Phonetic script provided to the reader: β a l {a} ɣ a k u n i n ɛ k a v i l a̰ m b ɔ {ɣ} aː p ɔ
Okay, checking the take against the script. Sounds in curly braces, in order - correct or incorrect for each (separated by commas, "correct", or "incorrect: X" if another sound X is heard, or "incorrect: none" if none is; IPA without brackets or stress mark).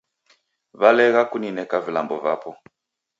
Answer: incorrect: ɛ, incorrect: v